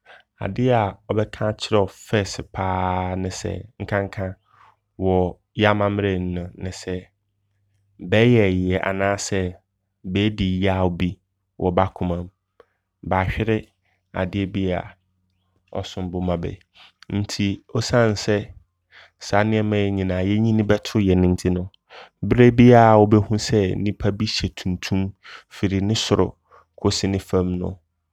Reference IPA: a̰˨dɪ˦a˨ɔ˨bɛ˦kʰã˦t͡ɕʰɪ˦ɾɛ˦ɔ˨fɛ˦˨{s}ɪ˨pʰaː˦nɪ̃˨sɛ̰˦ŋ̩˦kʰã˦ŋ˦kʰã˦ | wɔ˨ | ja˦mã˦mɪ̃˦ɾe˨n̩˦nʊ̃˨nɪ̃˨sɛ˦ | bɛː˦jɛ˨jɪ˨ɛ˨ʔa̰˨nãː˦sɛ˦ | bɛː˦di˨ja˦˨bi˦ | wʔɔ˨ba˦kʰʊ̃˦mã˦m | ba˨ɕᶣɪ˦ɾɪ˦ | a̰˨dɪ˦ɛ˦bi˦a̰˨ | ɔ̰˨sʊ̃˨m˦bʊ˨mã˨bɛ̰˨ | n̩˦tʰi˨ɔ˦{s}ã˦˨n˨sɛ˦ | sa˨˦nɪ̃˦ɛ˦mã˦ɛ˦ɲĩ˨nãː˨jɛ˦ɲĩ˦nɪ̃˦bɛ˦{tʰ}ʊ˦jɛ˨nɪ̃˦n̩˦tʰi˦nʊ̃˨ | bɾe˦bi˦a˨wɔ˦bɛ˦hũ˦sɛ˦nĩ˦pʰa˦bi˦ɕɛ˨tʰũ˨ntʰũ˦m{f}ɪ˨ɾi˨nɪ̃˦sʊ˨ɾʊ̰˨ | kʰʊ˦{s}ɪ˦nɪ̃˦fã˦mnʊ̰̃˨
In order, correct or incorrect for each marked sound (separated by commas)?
correct, correct, correct, correct, correct